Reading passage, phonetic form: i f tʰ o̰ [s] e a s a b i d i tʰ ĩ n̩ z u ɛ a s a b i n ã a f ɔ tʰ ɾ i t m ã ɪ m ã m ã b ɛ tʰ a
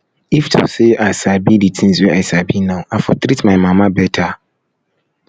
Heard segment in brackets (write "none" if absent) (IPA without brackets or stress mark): s